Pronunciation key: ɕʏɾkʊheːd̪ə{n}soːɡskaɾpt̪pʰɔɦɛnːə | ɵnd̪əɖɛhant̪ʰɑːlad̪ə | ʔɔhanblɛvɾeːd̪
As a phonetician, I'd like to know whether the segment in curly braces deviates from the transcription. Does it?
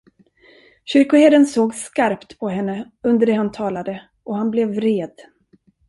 no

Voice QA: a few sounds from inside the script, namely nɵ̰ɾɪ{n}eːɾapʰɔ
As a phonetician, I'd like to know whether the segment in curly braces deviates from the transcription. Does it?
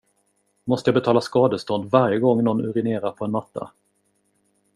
no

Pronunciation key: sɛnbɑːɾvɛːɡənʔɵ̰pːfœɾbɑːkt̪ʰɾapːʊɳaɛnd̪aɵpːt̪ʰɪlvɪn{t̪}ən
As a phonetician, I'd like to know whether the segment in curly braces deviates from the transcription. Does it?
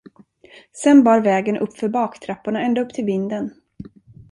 yes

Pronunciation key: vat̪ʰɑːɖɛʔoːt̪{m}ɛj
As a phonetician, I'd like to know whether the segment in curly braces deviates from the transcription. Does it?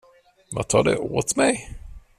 no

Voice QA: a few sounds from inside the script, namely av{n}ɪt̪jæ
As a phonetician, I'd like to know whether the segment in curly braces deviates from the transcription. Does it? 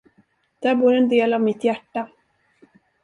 yes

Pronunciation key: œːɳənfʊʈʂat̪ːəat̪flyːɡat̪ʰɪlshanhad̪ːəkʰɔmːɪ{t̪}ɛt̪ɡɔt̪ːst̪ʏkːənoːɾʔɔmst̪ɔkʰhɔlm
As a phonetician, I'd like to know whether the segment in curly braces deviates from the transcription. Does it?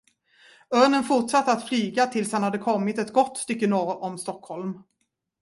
no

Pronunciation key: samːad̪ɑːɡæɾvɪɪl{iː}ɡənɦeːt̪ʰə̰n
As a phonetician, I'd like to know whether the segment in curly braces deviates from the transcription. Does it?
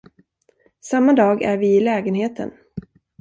yes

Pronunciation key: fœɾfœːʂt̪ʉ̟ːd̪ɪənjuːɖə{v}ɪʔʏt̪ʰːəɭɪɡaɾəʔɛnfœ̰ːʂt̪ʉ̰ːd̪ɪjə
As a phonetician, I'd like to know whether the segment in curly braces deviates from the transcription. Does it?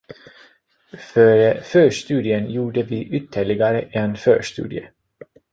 no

